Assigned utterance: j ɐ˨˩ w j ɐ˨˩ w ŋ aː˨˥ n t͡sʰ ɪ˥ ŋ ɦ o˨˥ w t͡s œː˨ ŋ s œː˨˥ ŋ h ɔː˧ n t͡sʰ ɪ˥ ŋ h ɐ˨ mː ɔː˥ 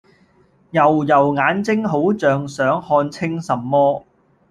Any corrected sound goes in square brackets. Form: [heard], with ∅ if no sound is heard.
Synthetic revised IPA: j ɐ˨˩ w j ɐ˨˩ w ŋ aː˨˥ n [t͡s] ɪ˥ ŋ ɦ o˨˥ w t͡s œː˨ ŋ s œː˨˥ ŋ h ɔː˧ n t͡sʰ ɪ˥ ŋ [s] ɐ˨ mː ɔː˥